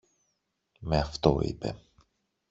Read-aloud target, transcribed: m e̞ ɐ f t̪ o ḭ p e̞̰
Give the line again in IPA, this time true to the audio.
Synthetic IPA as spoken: m e̞ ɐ f t̪ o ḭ p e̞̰